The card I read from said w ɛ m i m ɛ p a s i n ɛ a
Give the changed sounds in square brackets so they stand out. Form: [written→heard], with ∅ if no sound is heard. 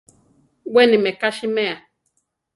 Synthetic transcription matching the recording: w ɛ [m→n] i m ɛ [p→k] a [s→ʃ] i [n→m] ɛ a